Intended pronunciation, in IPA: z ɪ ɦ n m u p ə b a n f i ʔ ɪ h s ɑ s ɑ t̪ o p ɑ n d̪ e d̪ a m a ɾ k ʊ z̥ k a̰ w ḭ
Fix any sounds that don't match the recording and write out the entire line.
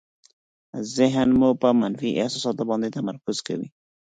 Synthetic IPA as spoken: z ɪ ɦ n m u p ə m a n f i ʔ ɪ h s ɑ s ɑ t̪ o b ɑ n d̪ e t̪ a m a ɾ k ʊ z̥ k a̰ w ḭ

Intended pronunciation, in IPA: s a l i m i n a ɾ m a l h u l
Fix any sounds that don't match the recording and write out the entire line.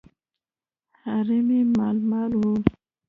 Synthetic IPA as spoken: h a ɾ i m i m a l m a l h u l

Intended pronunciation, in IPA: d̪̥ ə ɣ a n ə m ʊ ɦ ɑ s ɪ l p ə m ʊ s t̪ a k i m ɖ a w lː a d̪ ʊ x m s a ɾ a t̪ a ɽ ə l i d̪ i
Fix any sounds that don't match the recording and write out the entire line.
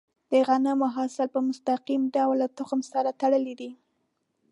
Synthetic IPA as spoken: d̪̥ ə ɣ a n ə m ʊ ɦ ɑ s ɪ l p ə m ʊ s t̪ a q i m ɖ a w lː a t̪ ʊ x m s a ɾ a t̪ a ɽ ə l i d̪ i

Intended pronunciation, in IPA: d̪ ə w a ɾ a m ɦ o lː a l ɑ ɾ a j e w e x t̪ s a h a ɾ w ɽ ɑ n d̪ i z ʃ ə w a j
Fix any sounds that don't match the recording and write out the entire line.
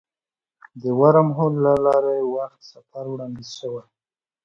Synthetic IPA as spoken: d̪ ə w a ɾ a m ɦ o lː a l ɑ ɾ a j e w a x t̪ s a f a ɾ w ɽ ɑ n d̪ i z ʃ ə w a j

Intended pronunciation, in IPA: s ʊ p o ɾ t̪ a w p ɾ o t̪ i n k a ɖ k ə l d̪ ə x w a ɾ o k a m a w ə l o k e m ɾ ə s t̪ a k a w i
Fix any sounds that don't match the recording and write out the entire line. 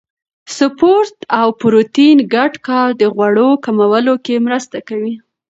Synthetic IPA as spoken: s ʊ p o ɾ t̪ a w p ɾ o t̪ i n ɡ a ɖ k ɑ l d̪ ə ɣ w a ɽ o k a m a w ə l o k e m ɾ ə s t̪ a k a w i

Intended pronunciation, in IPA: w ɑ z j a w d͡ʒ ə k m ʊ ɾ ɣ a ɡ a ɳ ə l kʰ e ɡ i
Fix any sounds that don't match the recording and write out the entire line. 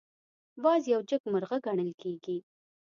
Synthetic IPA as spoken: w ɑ z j a w d͡ʒ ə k m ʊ ɾ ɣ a ɡ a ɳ ə l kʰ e ɡ i

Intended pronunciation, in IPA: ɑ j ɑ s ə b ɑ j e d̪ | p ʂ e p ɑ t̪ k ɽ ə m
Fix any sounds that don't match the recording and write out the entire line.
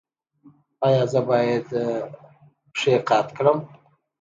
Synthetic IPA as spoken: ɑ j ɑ z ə b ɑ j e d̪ | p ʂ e q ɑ t̪ k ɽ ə m

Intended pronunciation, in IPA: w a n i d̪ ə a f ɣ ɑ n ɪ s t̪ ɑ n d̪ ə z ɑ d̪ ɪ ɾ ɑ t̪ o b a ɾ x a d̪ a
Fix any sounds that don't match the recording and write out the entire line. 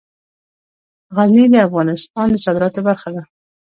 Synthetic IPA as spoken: ɣ a n i d̪ ə a f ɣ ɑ n ɪ s t̪ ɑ n d̪ ə s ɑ d̪ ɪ ɾ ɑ t̪ o b a ɾ x a d̪ a

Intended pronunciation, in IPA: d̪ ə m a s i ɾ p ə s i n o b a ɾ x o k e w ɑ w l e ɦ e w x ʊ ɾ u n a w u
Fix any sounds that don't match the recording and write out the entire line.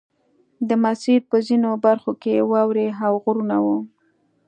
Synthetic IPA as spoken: d̪ ə m a s i ɾ p ə z i n o b a ɾ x o k e w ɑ w ɾ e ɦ a w ɣ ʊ ɾ u n a w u

